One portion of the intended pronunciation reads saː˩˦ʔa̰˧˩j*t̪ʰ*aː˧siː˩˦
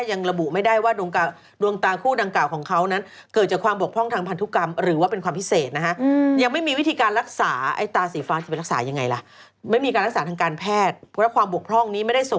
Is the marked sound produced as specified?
no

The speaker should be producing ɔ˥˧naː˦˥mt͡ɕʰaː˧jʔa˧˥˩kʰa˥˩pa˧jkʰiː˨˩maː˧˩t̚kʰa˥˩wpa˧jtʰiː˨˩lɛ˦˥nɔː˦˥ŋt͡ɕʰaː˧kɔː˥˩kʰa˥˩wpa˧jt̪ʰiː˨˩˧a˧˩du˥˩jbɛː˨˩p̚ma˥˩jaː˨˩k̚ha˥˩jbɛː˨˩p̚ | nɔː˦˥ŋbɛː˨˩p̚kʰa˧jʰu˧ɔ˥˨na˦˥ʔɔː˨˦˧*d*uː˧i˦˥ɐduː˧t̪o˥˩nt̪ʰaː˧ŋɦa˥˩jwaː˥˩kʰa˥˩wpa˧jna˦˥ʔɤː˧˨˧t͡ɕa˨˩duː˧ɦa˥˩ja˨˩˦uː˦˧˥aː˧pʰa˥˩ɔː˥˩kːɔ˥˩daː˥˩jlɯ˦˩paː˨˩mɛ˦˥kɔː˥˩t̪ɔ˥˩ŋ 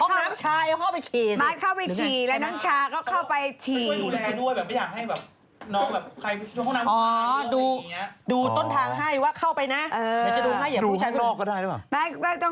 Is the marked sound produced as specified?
yes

